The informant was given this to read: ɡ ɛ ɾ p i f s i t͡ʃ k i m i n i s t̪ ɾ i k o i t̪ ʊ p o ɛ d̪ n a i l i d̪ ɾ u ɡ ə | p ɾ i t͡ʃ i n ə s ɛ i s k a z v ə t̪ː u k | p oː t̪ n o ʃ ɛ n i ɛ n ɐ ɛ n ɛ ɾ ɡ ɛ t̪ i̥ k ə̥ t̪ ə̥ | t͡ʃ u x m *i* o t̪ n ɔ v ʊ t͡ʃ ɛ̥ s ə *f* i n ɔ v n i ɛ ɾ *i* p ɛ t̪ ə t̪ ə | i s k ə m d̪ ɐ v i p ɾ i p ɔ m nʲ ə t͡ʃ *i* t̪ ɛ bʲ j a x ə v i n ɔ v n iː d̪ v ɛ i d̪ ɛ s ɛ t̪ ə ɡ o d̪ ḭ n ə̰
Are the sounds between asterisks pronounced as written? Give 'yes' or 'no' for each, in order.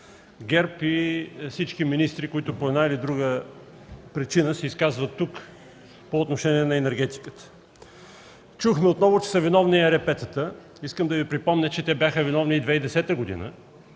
no, no, no, no

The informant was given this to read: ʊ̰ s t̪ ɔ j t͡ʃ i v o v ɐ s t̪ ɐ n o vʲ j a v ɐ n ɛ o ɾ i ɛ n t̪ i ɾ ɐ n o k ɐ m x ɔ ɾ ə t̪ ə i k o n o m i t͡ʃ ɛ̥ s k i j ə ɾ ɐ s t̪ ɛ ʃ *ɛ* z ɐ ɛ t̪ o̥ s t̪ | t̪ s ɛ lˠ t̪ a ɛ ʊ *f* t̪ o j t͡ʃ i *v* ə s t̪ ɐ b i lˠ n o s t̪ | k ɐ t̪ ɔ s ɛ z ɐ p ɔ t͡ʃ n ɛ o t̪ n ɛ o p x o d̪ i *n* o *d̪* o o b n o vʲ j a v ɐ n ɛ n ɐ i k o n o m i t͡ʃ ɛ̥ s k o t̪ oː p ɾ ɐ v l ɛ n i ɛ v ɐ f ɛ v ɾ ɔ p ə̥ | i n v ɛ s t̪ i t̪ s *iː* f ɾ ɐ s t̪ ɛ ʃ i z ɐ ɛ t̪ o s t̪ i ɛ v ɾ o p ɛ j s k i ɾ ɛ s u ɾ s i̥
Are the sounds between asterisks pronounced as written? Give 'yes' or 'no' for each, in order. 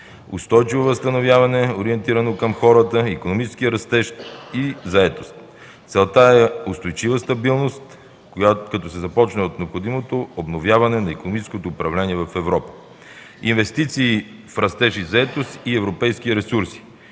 no, no, yes, no, no, yes

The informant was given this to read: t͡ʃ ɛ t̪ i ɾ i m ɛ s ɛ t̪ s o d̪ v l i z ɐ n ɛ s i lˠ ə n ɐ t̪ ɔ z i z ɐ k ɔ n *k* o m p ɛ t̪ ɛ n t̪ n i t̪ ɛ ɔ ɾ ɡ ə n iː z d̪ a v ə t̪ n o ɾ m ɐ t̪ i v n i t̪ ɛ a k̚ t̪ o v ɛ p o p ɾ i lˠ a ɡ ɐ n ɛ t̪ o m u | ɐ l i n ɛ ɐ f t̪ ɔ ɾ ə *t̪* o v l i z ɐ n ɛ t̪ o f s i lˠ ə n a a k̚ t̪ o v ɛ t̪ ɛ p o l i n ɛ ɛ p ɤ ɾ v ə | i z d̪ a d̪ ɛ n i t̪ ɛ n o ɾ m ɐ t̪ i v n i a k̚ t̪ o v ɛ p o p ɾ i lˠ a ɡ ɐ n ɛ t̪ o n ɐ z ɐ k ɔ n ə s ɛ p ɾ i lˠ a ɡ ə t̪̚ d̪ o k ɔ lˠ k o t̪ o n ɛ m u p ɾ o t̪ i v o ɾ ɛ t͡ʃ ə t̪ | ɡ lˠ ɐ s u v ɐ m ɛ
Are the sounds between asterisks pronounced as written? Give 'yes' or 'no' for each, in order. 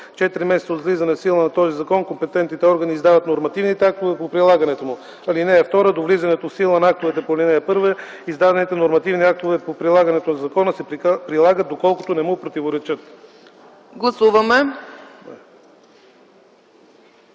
yes, no

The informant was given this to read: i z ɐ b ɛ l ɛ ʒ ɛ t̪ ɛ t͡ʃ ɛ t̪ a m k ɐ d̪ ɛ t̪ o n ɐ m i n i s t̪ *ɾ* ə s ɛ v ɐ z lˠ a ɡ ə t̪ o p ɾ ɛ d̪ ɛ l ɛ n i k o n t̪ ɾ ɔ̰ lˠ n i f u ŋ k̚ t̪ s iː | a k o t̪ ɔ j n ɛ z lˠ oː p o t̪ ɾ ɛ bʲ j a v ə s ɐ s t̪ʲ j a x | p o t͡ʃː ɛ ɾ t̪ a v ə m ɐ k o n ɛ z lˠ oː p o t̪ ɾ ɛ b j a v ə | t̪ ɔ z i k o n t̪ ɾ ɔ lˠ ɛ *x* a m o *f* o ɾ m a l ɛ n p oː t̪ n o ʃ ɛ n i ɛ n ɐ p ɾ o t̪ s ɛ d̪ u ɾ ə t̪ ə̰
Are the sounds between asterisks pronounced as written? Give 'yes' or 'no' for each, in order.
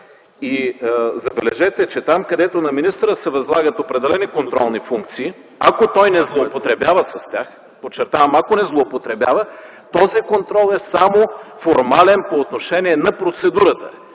yes, no, yes

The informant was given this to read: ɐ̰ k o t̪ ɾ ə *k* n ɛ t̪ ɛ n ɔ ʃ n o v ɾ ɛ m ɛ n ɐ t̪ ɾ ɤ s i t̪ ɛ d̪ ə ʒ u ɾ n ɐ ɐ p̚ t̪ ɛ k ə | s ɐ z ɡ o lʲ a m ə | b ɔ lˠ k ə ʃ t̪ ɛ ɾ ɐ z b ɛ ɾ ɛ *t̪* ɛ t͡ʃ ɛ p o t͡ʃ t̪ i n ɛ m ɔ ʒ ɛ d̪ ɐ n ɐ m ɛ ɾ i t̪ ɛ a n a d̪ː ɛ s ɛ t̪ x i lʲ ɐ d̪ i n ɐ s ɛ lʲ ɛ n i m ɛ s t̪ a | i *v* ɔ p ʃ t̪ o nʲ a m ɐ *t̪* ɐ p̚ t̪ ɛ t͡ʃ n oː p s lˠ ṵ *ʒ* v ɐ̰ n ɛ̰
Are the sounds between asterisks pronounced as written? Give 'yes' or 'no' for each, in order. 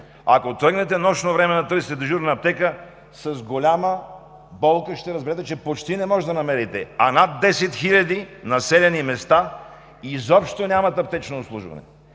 no, yes, no, yes, yes

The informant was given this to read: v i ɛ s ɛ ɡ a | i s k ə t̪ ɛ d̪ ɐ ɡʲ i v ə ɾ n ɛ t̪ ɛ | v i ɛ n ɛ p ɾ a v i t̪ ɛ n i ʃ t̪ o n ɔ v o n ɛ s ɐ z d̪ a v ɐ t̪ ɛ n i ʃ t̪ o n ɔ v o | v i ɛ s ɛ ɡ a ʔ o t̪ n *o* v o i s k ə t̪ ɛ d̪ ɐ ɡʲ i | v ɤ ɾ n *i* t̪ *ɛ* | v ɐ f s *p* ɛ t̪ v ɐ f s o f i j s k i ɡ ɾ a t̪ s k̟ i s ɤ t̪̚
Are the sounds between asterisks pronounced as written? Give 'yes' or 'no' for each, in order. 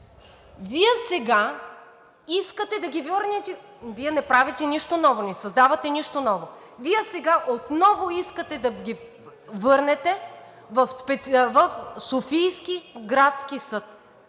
no, no, yes, yes

